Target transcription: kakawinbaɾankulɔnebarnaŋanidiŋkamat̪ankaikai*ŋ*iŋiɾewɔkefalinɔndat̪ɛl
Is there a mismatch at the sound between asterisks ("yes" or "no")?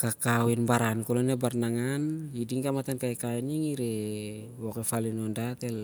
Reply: yes